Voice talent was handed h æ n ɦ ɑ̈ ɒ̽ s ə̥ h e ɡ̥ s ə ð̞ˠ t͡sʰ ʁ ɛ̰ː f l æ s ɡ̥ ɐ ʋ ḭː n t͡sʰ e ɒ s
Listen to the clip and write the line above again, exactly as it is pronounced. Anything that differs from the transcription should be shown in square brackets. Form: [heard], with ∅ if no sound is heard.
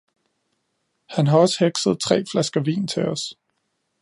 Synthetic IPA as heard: h æ n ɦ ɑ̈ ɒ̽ s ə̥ h e ɡ̥ s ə ð̞ˠ t͡sʰ ʁ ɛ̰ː f l æ s ɡ̥ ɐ ʋ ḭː n t͡sʰ e ɒ s

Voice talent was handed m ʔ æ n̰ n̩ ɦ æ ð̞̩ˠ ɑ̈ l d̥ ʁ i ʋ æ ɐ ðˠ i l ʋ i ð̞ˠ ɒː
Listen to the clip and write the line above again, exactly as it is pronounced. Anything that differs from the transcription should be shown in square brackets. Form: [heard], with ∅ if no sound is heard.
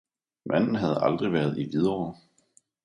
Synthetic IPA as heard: m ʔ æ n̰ n̩ ɦ æ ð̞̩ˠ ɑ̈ l d̥ ʁ i ʋ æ ɐ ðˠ i [∅] ʋ i ð̞ˠ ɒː

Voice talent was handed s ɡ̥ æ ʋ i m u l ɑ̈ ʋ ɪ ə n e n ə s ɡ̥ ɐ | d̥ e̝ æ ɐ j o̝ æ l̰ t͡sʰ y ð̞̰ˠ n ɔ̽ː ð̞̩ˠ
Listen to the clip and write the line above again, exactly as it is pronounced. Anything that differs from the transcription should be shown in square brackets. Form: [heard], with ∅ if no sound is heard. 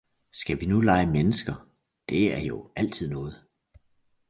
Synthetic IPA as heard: s ɡ̥ æ ʋ i [n] u l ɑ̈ [∅] ɪ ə [m] e n ə s ɡ̥ ɐ | d̥ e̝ æ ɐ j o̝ æ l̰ t͡sʰ [i] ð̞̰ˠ n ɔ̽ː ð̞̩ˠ

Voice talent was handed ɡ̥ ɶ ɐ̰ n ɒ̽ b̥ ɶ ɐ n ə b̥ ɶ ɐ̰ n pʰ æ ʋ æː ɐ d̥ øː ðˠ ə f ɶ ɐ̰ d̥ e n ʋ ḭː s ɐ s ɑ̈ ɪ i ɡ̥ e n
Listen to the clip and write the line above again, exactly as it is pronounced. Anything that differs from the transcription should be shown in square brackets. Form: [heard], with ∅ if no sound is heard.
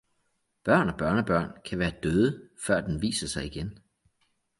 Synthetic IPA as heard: [b̥] ɶ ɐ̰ n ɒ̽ b̥ ɶ ɐ n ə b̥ ɶ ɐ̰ n [kʰ] æ ʋ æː ɐ d̥ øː ðˠ ə f ɶ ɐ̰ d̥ e n ʋ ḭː s ɐ s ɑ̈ ɪ i ɡ̥ e n

